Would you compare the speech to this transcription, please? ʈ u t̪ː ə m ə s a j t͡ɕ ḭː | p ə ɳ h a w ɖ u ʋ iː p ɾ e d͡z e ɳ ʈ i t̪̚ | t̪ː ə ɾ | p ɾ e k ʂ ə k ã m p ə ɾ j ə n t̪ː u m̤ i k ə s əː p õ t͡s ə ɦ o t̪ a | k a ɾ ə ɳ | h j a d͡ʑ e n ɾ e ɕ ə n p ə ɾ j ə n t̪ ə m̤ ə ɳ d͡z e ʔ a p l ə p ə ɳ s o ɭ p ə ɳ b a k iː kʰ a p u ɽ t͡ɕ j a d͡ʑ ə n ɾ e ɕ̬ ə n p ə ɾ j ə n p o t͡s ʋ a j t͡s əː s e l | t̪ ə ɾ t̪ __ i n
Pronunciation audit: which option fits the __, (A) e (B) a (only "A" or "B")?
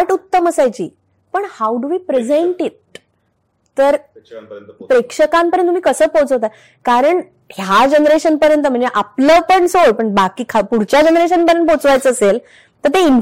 A